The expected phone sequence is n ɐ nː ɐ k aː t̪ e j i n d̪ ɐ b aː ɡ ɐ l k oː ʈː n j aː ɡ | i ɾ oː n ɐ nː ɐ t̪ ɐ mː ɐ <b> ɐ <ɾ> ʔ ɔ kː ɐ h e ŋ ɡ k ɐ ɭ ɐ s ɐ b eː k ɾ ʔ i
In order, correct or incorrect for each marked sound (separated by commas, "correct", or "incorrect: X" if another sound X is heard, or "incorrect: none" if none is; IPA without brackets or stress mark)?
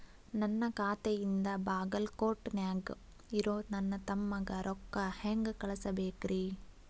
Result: incorrect: ɡ, correct